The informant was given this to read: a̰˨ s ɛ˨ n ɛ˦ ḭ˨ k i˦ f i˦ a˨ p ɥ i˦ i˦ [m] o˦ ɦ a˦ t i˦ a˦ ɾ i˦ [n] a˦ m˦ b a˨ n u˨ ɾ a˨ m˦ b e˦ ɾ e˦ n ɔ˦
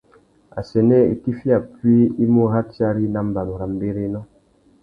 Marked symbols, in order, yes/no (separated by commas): yes, yes